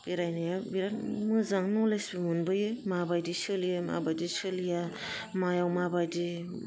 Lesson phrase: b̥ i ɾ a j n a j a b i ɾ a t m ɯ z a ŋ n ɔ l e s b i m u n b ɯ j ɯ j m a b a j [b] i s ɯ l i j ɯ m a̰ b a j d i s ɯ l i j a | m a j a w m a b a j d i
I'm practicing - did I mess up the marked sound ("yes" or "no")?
yes